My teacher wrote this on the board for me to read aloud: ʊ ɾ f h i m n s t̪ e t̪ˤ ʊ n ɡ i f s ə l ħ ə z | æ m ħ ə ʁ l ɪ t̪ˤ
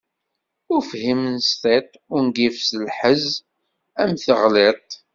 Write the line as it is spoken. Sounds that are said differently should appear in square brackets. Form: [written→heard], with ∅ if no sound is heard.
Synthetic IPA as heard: ʊ ɾ f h i m n s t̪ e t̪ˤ ʊ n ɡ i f s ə l ħ ə z | æ m [ħ→θ] ə ʁ l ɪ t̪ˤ